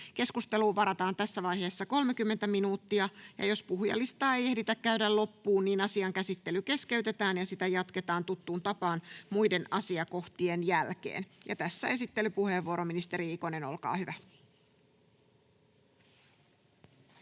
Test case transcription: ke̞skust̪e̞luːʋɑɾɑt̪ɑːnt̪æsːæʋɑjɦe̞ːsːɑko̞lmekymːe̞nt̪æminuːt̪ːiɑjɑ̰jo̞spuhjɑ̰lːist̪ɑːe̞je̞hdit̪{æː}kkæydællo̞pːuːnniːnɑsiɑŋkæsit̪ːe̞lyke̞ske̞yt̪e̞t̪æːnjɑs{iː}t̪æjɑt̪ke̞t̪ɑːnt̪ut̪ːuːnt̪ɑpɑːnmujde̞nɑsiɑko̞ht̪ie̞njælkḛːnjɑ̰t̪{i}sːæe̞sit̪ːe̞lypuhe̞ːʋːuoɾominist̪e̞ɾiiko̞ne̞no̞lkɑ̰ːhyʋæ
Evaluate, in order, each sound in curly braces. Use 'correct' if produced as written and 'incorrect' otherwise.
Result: incorrect, incorrect, incorrect

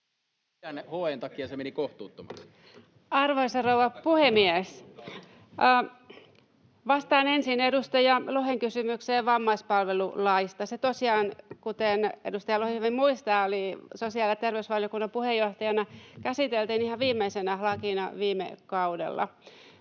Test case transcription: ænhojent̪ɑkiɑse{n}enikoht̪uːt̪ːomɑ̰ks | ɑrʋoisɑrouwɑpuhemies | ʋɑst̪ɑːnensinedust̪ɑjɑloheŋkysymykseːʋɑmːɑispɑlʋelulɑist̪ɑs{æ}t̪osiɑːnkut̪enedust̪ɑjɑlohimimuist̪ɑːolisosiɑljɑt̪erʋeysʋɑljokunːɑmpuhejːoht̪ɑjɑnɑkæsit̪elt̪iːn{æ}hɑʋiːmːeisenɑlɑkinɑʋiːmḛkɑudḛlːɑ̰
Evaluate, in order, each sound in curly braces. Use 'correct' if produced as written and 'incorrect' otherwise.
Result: incorrect, incorrect, incorrect

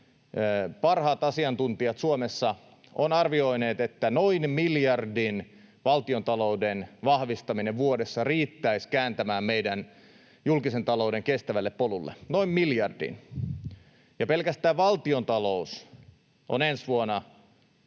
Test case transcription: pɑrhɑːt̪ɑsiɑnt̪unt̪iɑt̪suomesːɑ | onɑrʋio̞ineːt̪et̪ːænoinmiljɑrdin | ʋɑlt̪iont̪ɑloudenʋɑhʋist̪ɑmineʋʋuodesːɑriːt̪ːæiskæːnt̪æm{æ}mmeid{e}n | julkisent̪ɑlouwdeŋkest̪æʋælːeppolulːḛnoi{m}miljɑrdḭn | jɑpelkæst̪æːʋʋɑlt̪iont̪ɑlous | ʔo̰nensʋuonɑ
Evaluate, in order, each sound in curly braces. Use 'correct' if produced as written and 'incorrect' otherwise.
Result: incorrect, incorrect, correct

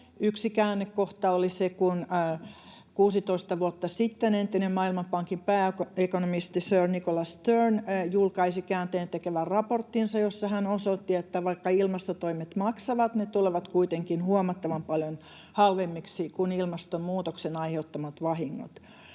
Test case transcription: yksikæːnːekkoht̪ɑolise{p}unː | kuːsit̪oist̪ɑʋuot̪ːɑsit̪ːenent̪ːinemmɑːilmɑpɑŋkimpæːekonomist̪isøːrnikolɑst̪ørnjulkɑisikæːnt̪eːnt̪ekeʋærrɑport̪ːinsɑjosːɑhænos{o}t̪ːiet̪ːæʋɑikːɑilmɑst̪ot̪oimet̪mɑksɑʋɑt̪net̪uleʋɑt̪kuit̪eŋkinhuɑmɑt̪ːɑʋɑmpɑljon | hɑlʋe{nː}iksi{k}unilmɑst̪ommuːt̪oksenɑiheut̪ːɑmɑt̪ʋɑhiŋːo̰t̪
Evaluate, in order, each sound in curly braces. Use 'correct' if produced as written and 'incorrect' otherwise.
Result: incorrect, correct, incorrect, correct

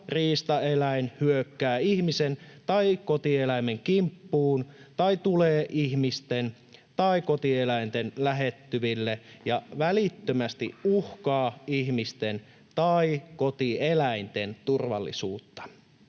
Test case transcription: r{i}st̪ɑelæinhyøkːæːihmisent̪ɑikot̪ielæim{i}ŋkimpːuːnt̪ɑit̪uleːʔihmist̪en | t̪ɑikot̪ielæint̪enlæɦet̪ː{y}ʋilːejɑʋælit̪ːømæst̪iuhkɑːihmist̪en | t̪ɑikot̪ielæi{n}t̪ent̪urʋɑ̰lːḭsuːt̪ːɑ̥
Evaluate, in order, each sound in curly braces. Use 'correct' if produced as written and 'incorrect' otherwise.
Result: incorrect, incorrect, correct, correct

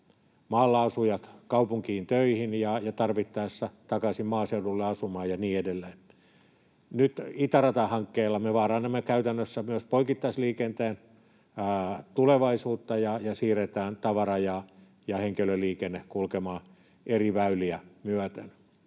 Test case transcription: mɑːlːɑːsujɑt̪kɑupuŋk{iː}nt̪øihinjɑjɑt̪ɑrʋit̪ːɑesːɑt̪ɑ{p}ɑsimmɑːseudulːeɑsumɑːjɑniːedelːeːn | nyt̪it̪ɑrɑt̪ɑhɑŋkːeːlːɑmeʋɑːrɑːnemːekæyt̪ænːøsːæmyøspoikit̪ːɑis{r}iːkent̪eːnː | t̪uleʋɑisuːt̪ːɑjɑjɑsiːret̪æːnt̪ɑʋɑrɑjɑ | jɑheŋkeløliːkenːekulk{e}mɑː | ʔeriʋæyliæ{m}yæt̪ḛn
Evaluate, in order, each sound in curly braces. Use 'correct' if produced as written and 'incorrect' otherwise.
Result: correct, incorrect, incorrect, correct, correct

